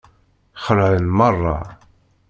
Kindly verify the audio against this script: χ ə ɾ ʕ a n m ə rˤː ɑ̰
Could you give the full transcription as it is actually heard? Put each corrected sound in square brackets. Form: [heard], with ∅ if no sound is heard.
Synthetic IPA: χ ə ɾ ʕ [ə] n m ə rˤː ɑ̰